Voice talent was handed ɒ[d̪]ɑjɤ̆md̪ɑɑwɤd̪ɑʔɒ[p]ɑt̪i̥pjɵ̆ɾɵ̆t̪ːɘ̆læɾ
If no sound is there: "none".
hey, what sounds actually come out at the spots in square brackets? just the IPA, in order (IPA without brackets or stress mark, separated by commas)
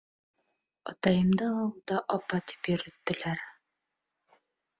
t̪, p